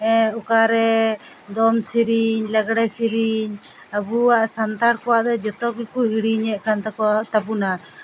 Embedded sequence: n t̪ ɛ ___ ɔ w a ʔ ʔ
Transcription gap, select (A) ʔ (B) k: B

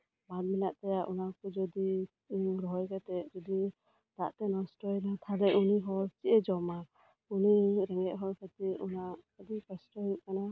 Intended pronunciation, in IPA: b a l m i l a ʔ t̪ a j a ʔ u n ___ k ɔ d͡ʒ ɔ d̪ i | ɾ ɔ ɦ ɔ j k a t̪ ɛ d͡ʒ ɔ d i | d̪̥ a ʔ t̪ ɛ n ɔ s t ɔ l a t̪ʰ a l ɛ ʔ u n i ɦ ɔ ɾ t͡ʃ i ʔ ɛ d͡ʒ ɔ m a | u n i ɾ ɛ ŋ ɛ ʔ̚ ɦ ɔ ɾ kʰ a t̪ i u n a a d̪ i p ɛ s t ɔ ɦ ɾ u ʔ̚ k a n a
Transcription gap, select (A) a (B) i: A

